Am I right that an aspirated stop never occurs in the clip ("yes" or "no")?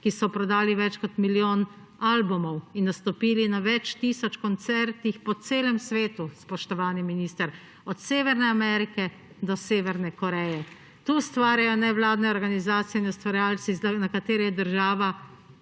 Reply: yes